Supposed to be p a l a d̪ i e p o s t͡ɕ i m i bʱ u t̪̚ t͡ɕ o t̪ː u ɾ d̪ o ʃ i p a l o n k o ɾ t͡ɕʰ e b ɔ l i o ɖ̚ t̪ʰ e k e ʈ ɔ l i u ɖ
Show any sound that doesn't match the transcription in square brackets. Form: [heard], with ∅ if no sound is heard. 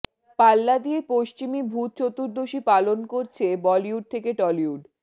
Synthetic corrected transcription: p a [lː] a d̪ i e p o [ʃ] t͡ɕ i m i bʱ u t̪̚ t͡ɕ o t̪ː u ɾ d̪ o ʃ i p a l o n k o ɾ t͡ɕʰ e b ɔ l i [u] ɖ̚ t̪ʰ e k e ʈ ɔ l i u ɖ